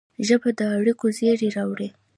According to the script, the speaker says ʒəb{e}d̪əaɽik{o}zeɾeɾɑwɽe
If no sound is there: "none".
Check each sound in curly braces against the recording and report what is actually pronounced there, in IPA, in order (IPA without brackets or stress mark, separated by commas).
a, o